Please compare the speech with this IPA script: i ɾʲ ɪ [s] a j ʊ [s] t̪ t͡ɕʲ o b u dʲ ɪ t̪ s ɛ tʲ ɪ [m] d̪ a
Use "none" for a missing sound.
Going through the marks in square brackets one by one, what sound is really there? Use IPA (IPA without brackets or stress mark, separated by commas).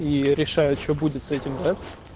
ʂ, none, m